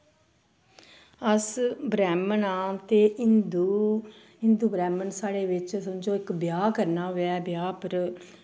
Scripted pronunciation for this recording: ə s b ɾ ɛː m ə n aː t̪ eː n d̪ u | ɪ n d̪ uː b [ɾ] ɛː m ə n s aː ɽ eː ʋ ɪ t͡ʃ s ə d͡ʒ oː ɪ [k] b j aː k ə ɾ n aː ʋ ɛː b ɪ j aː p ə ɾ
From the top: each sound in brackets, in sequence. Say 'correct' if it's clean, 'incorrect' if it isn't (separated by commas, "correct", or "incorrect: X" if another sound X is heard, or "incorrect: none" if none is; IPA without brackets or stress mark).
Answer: correct, correct